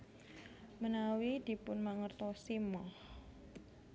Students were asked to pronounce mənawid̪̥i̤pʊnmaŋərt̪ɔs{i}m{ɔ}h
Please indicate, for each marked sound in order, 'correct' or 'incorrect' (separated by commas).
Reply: correct, correct